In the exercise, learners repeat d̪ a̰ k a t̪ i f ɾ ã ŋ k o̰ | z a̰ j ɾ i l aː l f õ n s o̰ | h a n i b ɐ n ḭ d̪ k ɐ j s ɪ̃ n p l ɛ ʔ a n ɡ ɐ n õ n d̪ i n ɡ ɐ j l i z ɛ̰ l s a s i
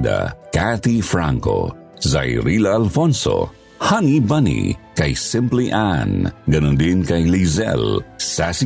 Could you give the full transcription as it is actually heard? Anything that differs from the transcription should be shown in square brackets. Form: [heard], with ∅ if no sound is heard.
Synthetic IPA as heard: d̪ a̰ k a t̪ i f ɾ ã ŋ k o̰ | z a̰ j ɾ i l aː l f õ n s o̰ | h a n i b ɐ n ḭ [∅] k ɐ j s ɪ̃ [m] p l [i] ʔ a n ɡ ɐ n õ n d̪ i n [k] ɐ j l i z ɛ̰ l s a s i